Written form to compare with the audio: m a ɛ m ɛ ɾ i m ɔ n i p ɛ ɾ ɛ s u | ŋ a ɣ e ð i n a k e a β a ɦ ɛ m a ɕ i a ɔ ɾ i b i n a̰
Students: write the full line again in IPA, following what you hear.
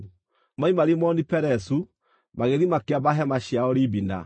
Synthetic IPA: m a i m a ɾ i m ɔ n i p ɛ ɾ ɛ s u | m a ɣ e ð i m a k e a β a ɦ ɛ m a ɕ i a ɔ ɾ i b i n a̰